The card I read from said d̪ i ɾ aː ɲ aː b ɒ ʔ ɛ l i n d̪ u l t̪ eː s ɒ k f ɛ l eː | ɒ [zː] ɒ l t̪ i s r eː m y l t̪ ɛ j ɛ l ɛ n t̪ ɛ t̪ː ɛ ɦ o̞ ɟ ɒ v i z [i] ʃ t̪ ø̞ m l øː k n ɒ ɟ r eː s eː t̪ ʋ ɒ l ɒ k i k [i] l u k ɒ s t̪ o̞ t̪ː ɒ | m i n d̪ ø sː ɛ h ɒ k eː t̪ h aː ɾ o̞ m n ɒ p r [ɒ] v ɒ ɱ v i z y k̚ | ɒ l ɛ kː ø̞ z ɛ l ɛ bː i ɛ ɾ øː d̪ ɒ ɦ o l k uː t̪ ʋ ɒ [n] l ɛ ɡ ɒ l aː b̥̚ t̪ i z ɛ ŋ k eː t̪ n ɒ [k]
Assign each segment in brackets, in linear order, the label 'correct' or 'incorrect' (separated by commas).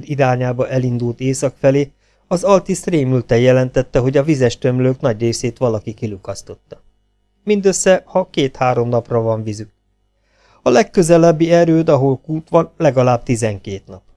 incorrect, incorrect, correct, correct, correct, incorrect